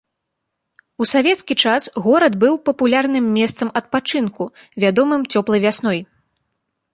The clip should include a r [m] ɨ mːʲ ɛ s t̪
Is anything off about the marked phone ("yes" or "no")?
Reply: yes